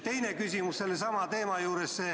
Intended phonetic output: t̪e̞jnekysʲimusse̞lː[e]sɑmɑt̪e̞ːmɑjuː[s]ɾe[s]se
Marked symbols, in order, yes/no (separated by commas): yes, no, yes